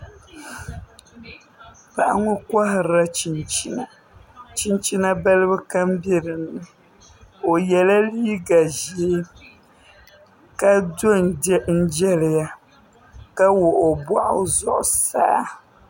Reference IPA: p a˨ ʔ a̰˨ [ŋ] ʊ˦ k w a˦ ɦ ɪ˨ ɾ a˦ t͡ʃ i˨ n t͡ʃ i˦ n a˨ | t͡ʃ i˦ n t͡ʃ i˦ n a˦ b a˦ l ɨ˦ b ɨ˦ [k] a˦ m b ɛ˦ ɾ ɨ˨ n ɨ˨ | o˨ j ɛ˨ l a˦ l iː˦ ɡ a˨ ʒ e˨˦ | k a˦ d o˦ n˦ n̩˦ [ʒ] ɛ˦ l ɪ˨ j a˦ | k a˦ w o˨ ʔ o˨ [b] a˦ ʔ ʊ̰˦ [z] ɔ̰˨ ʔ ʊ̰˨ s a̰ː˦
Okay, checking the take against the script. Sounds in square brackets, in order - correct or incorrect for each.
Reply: correct, correct, incorrect: d͡ʒ, correct, correct

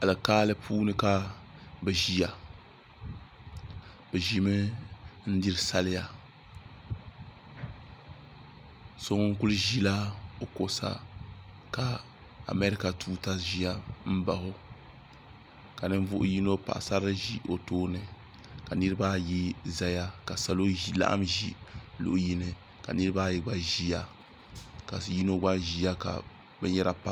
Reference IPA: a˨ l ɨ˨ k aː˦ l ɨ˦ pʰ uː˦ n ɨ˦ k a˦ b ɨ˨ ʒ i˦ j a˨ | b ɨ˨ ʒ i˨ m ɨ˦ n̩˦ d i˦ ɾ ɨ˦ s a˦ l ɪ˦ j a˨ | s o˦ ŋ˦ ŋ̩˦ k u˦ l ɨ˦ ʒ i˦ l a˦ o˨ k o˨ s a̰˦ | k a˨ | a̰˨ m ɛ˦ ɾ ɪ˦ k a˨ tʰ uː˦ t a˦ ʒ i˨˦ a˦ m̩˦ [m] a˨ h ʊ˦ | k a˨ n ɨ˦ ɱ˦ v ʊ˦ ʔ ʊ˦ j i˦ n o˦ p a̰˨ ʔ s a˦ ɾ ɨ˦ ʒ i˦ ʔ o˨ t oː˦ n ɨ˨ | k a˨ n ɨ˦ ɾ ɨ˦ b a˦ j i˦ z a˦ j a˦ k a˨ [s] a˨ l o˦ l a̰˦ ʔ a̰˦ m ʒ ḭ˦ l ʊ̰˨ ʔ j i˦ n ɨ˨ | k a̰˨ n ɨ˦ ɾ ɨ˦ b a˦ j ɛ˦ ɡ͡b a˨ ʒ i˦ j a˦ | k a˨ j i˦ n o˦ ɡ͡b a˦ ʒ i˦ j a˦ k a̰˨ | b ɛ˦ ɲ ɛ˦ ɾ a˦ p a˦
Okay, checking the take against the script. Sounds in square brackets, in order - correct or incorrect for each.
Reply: incorrect: b, correct

